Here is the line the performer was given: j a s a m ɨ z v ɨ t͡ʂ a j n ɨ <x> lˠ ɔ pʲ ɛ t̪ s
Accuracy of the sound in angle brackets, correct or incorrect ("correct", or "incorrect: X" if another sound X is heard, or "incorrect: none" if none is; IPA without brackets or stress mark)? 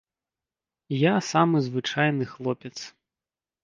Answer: correct